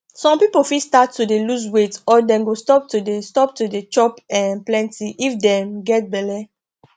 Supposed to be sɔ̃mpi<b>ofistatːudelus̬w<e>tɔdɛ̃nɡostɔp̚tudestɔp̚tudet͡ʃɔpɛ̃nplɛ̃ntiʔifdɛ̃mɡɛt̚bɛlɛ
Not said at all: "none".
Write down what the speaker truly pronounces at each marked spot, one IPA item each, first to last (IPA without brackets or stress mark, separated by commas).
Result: p, e